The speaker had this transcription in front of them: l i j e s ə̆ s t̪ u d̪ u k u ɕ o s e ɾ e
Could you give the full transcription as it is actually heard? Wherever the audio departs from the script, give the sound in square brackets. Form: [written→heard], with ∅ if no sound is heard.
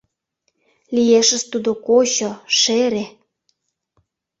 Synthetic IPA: l i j e [s→ʃ] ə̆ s t̪ u d̪ [u→o] k [u→o] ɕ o [s→ʃ] e ɾ e